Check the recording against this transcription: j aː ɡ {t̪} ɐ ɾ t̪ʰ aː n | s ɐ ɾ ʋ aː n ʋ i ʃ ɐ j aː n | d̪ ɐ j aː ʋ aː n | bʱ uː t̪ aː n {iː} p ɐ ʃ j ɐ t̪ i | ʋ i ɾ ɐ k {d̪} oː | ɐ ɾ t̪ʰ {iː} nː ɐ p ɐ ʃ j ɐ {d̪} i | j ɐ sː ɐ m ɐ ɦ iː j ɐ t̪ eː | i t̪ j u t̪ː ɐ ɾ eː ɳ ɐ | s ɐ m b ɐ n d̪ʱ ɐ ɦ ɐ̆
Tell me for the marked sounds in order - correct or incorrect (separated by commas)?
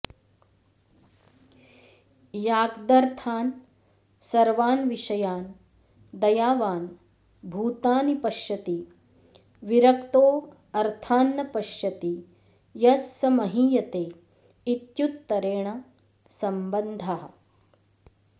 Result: incorrect, incorrect, incorrect, incorrect, incorrect